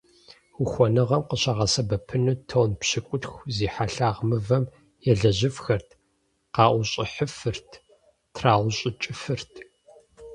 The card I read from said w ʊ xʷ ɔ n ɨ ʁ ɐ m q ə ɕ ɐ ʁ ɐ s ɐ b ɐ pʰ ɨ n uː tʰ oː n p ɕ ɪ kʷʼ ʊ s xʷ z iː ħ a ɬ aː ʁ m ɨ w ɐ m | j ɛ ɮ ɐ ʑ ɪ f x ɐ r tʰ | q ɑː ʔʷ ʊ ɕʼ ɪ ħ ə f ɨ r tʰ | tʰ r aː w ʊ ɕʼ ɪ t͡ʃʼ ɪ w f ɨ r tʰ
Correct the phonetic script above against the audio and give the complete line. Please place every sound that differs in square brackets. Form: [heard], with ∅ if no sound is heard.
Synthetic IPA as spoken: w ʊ xʷ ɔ n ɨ ʁ ɐ m q ə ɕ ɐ ʁ ɐ s ɐ b ɐ pʰ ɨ n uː tʰ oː n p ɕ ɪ kʷʼ ʊ [t] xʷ z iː ħ a ɬ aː ʁ m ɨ [v] ɐ m | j ɛ ɮ ɐ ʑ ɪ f x ɐ r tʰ | q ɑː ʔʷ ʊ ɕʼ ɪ ħ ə f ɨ r tʰ | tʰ r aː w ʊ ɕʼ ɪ t͡ʃʼ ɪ [∅] f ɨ r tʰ